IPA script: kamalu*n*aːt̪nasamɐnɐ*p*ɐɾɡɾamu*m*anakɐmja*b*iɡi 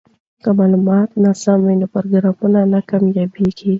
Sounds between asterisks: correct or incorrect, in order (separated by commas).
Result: incorrect, correct, incorrect, correct